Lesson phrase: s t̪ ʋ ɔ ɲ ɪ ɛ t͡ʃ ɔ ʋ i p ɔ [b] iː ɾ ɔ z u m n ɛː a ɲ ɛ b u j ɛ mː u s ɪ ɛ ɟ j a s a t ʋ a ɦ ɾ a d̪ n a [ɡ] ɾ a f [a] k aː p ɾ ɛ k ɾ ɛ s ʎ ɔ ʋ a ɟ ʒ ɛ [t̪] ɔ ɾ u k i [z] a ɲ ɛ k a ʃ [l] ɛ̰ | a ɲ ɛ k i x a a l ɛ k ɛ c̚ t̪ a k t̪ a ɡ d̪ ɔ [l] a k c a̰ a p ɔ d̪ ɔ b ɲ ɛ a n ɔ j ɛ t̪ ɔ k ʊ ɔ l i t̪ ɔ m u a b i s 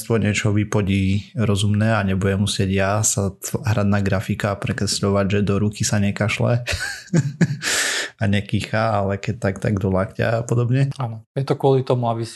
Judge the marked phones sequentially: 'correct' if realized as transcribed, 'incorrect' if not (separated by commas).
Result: incorrect, correct, incorrect, incorrect, incorrect, correct, correct